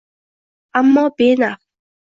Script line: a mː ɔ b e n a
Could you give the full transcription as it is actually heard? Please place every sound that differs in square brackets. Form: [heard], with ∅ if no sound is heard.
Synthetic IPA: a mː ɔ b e n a